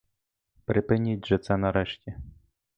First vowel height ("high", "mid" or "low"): high